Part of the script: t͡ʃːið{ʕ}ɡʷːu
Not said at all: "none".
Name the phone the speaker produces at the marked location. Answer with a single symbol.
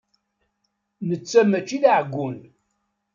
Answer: ʕ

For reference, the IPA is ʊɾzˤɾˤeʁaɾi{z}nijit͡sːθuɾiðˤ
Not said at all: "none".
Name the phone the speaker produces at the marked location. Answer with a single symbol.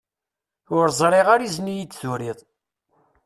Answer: z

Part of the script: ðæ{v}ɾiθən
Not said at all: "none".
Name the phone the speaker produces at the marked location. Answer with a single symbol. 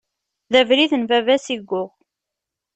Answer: v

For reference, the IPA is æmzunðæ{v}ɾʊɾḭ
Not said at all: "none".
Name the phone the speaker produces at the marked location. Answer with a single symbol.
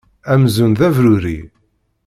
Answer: v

